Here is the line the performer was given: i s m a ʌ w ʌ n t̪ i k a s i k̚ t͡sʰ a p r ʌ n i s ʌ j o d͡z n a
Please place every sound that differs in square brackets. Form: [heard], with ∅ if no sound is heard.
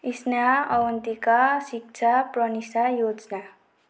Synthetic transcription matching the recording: i s [n] a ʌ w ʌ n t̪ i k a s i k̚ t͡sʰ a p r ʌ n i s [a] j o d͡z n a